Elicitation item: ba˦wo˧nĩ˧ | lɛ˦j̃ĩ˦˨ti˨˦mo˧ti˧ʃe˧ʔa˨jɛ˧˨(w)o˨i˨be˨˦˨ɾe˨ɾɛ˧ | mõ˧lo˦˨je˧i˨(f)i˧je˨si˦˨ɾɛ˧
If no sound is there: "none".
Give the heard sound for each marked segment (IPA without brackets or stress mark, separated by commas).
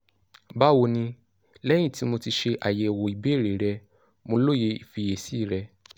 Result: w, f